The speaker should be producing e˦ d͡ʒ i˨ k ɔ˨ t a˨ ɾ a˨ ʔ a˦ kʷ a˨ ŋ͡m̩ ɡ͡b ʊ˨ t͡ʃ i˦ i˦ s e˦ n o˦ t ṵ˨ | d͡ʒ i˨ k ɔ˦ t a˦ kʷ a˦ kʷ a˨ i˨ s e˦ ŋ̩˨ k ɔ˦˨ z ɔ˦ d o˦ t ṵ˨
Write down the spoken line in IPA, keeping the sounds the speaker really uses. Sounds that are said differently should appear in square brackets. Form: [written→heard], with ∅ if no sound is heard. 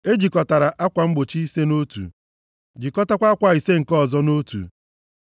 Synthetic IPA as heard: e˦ d͡ʒ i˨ k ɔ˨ t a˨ ɾ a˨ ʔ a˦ kʷ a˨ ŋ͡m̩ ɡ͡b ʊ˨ t͡ʃ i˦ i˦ s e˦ n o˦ t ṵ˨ | d͡ʒ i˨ k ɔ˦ t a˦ kʷ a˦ kʷ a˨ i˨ s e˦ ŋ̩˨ k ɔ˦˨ z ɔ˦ [d→n] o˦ t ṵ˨